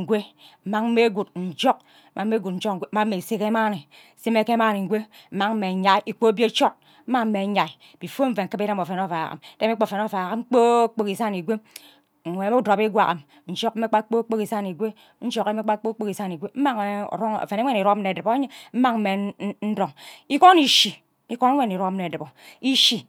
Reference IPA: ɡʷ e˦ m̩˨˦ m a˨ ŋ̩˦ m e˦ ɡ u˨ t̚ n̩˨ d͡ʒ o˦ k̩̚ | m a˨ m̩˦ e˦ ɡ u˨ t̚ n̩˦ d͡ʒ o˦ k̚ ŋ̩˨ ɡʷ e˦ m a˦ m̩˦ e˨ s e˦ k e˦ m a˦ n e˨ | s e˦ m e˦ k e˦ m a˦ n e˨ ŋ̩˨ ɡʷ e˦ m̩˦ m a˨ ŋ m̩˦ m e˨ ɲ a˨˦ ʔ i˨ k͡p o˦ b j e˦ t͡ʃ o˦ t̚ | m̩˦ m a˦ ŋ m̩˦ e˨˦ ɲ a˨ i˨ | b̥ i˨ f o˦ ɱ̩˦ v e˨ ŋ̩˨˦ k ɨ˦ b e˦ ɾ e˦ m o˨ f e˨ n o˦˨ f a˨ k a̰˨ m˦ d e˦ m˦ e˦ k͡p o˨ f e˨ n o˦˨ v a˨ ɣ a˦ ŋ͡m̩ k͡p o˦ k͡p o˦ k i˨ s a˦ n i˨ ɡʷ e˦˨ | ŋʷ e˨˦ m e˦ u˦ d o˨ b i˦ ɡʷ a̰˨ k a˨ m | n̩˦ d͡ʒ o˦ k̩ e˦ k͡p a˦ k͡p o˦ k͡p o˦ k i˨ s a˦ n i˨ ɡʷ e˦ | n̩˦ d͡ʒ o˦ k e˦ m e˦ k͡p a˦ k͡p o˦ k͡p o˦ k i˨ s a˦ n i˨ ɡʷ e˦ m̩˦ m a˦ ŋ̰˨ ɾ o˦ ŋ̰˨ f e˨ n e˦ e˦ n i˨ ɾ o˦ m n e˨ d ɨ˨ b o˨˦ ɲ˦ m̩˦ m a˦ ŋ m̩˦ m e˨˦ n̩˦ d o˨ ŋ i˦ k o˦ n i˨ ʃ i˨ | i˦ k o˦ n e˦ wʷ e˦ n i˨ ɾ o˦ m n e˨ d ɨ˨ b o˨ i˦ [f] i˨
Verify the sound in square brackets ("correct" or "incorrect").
incorrect